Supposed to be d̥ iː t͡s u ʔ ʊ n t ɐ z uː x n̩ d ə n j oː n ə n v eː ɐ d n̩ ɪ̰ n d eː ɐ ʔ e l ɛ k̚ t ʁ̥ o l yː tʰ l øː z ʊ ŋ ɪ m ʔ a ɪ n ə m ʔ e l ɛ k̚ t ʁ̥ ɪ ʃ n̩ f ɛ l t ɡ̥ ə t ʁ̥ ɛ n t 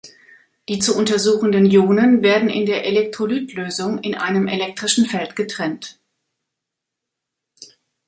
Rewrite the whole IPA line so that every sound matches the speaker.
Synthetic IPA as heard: d̥ iː t͡s u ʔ ʊ n t ɐ z uː x n̩ d ə n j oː n ə n v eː ɐ d n̩ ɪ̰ n d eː ɐ ʔ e l ɛ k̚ t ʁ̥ o l yː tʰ l øː z ʊ ŋ ɪ n ʔ a ɪ n ə m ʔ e l ɛ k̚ t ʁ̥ ɪ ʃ n̩ f ɛ l t ɡ̥ ə t ʁ̥ ɛ n t